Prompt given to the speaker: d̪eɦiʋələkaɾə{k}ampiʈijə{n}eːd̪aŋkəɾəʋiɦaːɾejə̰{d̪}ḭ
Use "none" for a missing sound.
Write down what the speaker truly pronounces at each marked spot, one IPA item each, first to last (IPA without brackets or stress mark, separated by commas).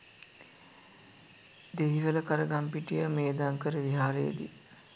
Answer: ɡ, m, d̪